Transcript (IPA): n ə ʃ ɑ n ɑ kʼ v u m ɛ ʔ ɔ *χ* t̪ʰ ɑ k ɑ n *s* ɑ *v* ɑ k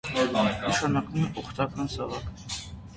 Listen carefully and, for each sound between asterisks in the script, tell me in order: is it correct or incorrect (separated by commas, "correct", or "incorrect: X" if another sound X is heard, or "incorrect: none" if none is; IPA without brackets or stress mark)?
correct, correct, correct